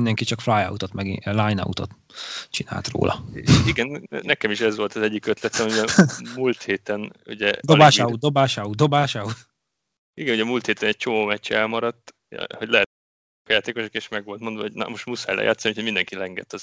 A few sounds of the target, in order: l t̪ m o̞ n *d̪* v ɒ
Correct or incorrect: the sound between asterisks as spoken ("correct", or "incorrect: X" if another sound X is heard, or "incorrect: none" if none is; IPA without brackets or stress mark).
correct